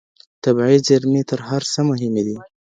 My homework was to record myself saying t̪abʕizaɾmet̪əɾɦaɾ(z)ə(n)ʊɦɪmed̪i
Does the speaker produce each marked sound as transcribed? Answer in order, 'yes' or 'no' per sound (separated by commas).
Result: no, no